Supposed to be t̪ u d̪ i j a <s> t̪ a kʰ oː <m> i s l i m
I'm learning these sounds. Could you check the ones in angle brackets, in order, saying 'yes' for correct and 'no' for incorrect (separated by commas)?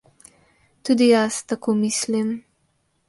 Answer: yes, yes